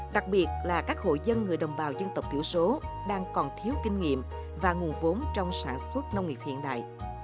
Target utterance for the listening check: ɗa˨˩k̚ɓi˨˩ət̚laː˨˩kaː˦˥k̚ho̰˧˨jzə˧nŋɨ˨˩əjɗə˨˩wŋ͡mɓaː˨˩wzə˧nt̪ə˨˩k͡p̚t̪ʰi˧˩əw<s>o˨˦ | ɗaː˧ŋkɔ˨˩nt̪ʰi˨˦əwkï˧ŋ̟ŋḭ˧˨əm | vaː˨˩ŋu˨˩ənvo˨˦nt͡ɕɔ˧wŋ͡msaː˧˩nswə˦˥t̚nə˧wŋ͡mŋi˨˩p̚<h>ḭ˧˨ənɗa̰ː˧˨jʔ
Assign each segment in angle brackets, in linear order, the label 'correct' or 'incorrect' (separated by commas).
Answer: correct, correct